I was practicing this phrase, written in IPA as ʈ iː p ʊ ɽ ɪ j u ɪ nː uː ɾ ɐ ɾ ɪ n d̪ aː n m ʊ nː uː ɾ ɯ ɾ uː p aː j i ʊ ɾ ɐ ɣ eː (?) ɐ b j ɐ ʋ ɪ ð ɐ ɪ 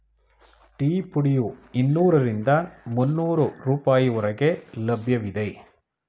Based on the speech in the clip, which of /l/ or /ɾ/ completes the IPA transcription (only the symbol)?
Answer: l